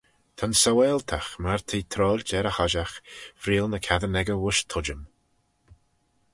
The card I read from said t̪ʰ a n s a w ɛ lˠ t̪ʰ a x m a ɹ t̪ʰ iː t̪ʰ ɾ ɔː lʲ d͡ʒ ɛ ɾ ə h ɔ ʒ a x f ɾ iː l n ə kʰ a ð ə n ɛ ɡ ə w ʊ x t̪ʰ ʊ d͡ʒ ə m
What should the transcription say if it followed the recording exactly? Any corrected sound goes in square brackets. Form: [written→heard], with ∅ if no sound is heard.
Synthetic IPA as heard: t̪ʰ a n s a w ɛ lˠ t̪ʰ a x m a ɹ t̪ʰ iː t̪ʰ ɾ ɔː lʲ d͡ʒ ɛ ɾ ə h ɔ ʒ a x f ɾ iː l n ə kʰ a ð ə n ɛ ɡ ə w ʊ [x→ʃ] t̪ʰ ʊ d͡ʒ ə m

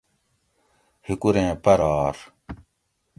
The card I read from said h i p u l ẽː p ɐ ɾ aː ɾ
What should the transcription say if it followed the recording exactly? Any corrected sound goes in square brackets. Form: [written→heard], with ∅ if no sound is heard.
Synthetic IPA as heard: h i [p→k] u [l→ɾ] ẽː p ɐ ɾ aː ɾ

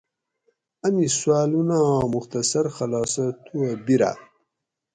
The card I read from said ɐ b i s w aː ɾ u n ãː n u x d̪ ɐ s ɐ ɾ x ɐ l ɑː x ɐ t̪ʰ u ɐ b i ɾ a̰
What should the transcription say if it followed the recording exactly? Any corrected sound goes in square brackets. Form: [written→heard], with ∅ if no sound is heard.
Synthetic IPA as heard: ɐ [b→m] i s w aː [ɾ→l] u n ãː [n→m] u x [d̪→t̪] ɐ s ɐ ɾ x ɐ l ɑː [x→s] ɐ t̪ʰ u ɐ b i ɾ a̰

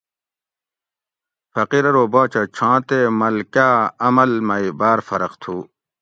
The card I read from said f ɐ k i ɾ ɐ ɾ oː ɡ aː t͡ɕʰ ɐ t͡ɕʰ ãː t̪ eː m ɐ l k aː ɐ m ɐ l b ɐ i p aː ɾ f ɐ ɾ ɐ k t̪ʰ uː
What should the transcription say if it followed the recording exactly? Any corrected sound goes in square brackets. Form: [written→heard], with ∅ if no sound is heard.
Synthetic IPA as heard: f ɐ [k→q] i ɾ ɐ ɾ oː [ɡ→b] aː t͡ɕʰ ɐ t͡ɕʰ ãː t̪ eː m ɐ l k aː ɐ m ɐ l [b→m] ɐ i [p→b] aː ɾ f ɐ ɾ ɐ [k→q] t̪ʰ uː

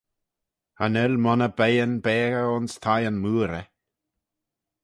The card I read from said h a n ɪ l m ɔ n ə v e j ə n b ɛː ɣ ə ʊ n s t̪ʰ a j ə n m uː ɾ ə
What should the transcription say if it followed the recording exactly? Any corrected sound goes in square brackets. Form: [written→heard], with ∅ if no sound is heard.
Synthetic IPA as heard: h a n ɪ l m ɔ n ə [v→b] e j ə n b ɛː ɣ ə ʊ n s t̪ʰ a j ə n m uː ɾ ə

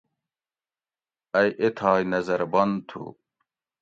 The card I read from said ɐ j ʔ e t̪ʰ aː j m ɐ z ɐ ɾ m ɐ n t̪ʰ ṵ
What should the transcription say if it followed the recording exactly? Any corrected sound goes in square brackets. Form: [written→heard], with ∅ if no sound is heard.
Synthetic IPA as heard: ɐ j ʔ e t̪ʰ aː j [m→n] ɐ z ɐ ɾ [m→b] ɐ n t̪ʰ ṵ

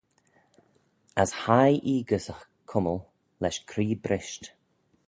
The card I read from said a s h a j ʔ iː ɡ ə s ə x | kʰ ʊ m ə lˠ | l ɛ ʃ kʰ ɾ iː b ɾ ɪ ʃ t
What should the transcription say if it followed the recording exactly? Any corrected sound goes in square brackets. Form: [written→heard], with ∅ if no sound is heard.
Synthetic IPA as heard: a s h a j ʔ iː ɡ ə s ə x | kʰ ʊ m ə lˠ | l ɛ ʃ kʰ ɾ iː b ɾ ɪ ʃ t

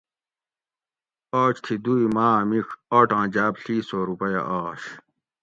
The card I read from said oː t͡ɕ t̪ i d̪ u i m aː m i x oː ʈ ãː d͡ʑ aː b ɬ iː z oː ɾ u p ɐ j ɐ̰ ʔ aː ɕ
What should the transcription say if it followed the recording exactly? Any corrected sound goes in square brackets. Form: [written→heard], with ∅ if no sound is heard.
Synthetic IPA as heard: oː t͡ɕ [t̪→t̪ʰ] i d̪ u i m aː m i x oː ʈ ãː d͡ʑ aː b ɬ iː [z→s] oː ɾ u p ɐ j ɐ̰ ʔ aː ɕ

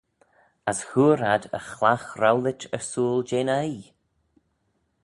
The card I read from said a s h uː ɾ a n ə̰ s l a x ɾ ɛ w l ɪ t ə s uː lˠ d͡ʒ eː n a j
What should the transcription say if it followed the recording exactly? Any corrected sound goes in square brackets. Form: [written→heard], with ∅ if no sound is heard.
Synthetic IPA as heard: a s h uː ɾ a [n→d] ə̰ [s→x] l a x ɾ [ɛ→a] w l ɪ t ə s uː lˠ d͡ʒ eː n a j

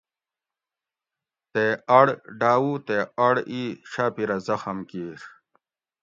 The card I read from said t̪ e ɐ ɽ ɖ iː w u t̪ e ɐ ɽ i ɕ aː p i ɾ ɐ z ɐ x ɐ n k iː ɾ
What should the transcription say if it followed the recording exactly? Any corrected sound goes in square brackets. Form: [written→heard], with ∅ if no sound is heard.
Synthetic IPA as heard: t̪ e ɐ ɽ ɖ [iː→aː] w u t̪ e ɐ ɽ i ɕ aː p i ɾ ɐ z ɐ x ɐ [n→m] k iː ɾ

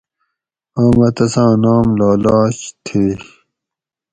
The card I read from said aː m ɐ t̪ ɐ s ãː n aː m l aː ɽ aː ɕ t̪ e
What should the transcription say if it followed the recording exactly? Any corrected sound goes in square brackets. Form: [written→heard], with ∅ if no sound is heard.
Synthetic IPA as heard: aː m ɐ t̪ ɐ s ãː n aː m l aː [ɽ→l] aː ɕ [t̪→t̪ʰ] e

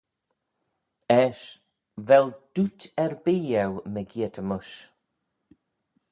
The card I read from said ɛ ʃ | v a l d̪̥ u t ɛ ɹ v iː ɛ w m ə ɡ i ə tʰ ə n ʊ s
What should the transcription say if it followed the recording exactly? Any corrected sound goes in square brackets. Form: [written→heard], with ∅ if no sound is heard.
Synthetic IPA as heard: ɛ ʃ | v [a→ɛ] l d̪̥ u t ɛ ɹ [v→b] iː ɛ w m ə ɡ i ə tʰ ə [n→m] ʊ [s→ʃ]

